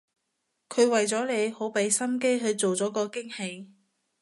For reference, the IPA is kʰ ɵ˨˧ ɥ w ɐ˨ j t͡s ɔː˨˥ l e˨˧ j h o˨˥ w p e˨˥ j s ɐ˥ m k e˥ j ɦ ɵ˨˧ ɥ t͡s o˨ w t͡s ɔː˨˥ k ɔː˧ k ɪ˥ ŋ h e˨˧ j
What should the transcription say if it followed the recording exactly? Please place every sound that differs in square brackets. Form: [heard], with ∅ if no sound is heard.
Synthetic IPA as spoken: kʰ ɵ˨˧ ɥ w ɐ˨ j t͡s ɔː˨˥ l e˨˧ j h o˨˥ w p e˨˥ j s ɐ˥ m k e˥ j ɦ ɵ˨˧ ɥ t͡s o˨ w t͡s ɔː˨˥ k ɔː˧ k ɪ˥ ŋ h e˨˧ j